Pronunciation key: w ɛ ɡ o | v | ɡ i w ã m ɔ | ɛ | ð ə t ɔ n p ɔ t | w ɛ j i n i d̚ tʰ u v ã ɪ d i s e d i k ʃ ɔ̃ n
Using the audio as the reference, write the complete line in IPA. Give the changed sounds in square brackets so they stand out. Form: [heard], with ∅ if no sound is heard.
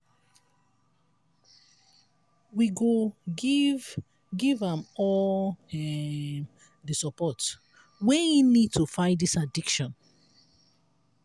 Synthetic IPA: w [i] ɡ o | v | ɡ i [v] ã m ɔ | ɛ | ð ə [s] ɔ [∅] p ɔ t | w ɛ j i n i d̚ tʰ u [f] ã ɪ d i s [a] d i k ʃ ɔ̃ n